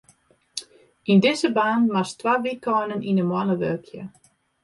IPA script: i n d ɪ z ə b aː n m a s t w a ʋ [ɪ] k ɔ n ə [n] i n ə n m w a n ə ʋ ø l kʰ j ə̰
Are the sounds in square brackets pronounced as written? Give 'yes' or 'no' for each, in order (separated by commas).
no, yes